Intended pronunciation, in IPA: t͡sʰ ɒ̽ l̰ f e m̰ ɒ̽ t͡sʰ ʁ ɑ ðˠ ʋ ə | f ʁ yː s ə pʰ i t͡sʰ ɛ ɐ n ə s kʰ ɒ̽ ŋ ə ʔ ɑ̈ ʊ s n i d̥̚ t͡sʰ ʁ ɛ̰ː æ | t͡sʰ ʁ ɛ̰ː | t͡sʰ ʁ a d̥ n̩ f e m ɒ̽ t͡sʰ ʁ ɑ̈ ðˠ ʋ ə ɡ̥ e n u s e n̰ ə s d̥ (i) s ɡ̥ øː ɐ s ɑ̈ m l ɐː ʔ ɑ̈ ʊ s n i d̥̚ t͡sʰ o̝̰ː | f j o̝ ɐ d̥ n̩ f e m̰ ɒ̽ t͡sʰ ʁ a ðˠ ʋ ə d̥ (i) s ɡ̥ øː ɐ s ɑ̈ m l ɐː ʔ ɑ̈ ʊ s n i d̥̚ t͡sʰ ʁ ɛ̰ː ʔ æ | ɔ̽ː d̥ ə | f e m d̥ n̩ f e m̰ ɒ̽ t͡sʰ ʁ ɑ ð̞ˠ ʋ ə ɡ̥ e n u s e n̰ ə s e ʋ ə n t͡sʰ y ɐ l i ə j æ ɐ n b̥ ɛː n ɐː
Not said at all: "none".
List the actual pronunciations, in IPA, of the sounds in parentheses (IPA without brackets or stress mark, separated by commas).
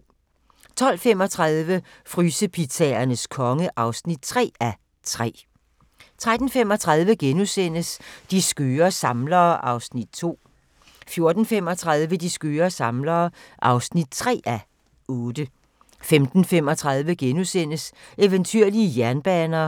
i, i